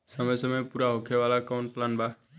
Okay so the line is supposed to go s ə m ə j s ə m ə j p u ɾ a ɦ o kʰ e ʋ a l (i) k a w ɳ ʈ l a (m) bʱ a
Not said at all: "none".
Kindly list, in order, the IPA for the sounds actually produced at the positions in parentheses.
a, n

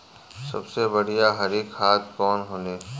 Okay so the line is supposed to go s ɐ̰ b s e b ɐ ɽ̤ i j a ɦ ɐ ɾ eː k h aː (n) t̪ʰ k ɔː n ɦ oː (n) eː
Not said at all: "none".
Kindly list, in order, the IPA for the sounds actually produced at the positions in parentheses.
none, n

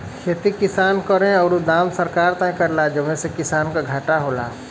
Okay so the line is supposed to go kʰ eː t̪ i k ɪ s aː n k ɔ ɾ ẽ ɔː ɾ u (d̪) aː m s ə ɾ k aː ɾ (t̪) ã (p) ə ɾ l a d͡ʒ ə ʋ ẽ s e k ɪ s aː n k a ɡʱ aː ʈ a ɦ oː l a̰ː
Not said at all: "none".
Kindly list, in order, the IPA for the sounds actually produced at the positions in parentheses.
d̪, t̪, k

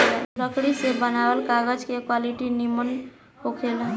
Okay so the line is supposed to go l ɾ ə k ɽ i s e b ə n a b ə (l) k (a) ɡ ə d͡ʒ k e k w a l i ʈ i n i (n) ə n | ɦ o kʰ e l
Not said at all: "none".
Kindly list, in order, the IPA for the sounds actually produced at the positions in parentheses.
l, a, m

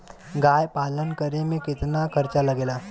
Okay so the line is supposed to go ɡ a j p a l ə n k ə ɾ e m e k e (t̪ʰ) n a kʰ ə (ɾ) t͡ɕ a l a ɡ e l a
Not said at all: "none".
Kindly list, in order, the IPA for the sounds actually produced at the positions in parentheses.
t̪, ɾ

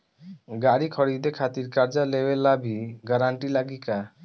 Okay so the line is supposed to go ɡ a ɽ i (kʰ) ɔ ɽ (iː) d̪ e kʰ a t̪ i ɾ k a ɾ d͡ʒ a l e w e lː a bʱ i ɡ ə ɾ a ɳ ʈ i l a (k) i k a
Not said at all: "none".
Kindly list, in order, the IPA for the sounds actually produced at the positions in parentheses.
kʰ, i, ɡ

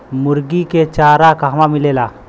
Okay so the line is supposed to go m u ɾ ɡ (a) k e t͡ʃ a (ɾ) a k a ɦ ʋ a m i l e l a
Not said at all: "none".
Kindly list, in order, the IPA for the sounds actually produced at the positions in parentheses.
i, ɾ

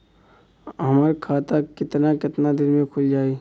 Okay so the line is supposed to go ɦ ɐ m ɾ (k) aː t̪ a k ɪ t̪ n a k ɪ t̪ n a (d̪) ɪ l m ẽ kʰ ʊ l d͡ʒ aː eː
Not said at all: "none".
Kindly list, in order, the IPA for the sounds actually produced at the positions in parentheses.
kʰ, d̪

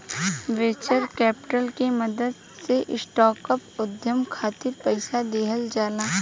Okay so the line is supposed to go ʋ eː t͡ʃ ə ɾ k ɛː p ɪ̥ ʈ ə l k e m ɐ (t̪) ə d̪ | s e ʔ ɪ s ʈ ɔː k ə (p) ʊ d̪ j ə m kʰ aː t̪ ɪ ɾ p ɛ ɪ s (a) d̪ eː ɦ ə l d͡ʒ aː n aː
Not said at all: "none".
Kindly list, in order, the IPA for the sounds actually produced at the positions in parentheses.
d̪, p, a

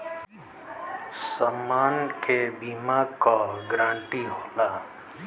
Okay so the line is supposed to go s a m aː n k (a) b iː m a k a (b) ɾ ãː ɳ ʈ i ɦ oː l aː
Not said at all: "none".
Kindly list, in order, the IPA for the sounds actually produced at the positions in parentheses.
e, ɡ

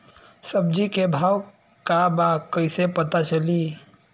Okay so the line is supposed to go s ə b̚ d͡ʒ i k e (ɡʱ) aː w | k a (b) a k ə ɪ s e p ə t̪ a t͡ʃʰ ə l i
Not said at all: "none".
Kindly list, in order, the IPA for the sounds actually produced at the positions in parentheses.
bʱ, b

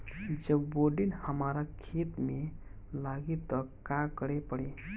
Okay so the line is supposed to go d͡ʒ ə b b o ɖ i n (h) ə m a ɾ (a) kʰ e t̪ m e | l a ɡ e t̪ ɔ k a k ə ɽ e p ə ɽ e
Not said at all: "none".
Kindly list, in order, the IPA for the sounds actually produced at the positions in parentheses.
h, a

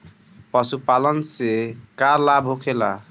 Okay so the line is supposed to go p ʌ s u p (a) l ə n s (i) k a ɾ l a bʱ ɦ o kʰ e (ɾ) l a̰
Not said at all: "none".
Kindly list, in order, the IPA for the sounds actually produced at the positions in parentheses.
a, e, none

